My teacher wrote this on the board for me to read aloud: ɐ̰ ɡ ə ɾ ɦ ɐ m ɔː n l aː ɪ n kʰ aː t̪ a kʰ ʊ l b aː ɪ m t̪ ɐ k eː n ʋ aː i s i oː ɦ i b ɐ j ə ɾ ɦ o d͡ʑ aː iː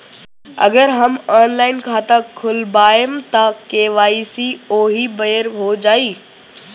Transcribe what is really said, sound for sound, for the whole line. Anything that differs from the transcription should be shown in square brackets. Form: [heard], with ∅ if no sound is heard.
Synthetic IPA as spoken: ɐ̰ ɡ ə ɾ ɦ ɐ m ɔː n l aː ɪ n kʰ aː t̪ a kʰ ʊ l b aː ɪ m t̪ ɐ k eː [∅] ʋ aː i s i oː ɦ i b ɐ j ə ɾ ɦ o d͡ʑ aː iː

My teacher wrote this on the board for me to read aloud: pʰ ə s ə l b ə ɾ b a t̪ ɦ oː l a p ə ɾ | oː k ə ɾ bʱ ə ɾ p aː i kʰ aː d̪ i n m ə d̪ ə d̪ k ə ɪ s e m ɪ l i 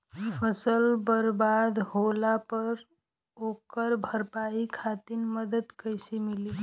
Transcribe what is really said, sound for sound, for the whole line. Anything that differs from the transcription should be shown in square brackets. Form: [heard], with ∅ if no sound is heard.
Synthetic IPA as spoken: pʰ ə s ə l b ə ɾ b a [d̪] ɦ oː l a p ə ɾ | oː k ə ɾ bʱ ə ɾ p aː i kʰ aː [t̪] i n m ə d̪ ə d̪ k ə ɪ s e m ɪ l i

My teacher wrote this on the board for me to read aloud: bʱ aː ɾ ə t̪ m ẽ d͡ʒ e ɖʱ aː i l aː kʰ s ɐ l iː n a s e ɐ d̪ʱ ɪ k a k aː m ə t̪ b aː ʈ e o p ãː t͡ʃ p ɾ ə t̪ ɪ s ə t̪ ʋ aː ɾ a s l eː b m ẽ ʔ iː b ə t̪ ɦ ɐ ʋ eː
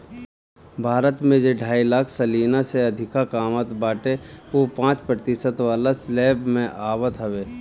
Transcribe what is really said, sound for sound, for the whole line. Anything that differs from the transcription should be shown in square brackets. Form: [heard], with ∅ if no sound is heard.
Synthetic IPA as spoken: bʱ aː ɾ ə t̪ m ẽ d͡ʒ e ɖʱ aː i l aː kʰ s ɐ l iː n a s e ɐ d̪ʱ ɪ k a k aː m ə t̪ b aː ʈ e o p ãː t͡ʃ p ɾ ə t̪ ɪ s ə t̪ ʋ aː [l] a s l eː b m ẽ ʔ [aː] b ə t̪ ɦ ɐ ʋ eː

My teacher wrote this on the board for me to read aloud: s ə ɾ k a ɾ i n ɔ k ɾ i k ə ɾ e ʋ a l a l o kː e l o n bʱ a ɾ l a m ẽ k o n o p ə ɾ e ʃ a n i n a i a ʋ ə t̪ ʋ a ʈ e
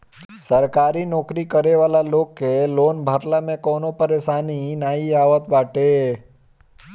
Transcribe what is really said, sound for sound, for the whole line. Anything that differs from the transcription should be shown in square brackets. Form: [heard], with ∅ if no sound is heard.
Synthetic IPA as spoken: s ə ɾ k a ɾ i n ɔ k ɾ i k ə ɾ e ʋ a l a l o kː e l o n bʱ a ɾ l a m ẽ k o n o p ə ɾ e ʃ a n i n a i a ʋ ə t̪ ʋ a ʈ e

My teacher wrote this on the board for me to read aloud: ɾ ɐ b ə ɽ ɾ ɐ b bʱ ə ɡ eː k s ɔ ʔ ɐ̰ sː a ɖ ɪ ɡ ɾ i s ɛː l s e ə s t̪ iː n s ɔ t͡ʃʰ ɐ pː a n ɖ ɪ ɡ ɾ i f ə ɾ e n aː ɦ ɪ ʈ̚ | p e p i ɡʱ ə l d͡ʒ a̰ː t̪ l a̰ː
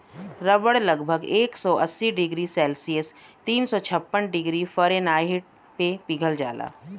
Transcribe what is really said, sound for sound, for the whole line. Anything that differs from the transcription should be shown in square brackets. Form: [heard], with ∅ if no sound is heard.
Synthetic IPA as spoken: ɾ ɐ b ə ɽ [l] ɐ [ɡ] bʱ ə ɡ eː k s ɔ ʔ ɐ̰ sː [i] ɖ ɪ ɡ ɾ i s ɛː l s [i] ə s t̪ iː n s ɔ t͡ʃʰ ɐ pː [ə] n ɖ ɪ ɡ ɾ i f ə ɾ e n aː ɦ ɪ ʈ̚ | p e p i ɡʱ ə l d͡ʒ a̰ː [∅] l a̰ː

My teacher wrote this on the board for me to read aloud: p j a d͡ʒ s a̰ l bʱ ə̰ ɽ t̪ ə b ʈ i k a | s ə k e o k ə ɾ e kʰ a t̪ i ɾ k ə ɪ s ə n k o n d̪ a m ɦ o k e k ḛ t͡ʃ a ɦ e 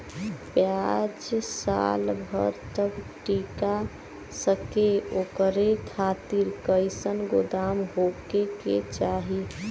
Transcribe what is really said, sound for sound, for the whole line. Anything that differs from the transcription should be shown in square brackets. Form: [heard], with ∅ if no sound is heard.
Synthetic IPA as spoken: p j a d͡ʒ s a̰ l bʱ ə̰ [ɾ] t̪ ə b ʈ i k a | s ə k e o k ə ɾ e kʰ a t̪ i ɾ k ə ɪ s ə n [ɡ] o [∅] d̪ a m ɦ o k e k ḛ t͡ʃ a ɦ [i]

